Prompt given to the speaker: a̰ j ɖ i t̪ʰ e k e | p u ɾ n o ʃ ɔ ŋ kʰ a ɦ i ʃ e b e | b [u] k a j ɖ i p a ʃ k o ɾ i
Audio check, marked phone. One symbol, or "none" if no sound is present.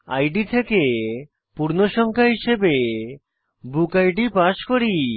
u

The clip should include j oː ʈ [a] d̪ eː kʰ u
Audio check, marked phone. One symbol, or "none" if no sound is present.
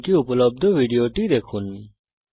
i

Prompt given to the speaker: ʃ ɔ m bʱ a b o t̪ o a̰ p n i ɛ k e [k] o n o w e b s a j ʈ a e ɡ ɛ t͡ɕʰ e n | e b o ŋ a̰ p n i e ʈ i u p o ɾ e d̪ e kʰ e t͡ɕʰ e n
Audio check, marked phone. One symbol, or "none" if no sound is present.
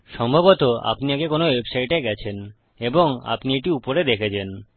k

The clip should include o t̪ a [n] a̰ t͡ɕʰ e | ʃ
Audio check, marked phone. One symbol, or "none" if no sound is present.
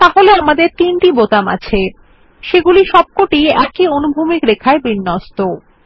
m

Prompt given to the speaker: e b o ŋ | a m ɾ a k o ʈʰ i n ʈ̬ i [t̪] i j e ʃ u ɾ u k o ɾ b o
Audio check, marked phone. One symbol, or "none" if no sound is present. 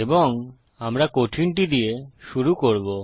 d̪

